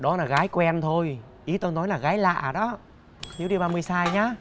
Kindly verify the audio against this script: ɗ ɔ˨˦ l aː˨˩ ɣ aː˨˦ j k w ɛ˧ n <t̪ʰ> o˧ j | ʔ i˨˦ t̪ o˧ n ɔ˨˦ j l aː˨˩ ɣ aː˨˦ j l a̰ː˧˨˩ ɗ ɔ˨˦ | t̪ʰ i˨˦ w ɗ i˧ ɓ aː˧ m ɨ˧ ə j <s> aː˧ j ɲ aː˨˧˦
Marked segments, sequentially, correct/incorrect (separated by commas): correct, correct